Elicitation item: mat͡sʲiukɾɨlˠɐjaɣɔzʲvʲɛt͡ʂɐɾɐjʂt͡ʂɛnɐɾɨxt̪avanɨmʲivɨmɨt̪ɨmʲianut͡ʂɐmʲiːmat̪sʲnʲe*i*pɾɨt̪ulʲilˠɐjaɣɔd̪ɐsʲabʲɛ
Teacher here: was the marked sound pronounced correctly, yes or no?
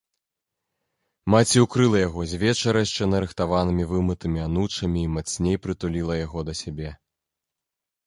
no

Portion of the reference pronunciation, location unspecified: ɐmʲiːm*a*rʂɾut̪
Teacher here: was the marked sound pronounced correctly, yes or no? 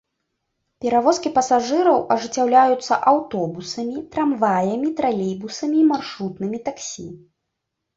yes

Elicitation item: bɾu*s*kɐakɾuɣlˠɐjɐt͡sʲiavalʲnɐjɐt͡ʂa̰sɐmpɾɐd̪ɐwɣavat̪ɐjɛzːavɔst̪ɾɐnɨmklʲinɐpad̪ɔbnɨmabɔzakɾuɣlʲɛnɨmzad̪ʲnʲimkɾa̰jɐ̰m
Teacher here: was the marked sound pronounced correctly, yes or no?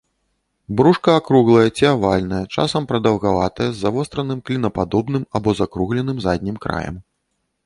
no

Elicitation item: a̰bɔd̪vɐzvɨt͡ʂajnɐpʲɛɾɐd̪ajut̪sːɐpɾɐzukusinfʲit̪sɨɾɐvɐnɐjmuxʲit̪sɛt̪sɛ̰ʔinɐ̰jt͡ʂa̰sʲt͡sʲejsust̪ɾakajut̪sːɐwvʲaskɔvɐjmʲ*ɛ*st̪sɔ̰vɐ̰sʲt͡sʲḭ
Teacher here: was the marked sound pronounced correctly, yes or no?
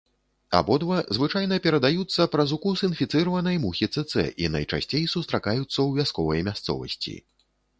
no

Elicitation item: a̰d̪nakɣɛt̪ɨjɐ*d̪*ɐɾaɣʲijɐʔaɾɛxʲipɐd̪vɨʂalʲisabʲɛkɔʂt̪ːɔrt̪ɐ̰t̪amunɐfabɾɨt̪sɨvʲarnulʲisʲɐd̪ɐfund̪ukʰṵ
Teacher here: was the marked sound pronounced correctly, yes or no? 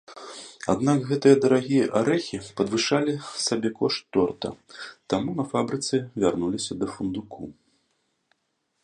yes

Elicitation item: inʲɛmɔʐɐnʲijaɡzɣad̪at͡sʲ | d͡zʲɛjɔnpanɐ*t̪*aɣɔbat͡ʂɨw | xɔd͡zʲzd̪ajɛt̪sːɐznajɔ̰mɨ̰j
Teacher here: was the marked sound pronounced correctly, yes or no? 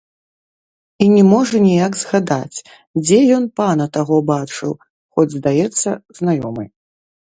yes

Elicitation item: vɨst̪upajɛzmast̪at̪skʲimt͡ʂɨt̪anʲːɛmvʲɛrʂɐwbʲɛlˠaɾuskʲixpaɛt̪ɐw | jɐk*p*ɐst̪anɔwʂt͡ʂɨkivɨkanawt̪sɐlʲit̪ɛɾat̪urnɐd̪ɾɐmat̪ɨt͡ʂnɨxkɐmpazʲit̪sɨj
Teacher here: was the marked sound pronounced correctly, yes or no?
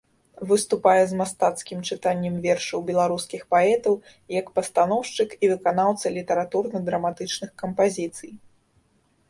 yes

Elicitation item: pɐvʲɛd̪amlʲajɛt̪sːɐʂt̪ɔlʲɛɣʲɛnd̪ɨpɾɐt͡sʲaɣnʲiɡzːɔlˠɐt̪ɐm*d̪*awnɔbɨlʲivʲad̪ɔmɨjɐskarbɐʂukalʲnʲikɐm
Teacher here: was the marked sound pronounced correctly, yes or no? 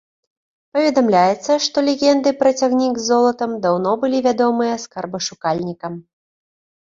yes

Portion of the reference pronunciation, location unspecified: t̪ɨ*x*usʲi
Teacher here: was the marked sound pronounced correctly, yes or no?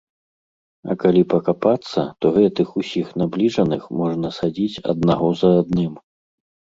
yes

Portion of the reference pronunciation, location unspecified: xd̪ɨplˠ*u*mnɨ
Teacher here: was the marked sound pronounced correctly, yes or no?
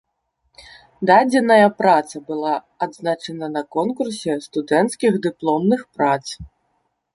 no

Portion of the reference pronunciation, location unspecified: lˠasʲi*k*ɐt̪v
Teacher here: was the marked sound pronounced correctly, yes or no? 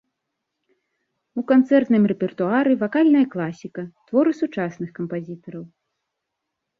yes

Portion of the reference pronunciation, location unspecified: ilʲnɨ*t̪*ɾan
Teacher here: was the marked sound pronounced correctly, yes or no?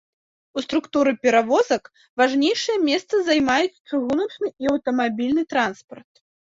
yes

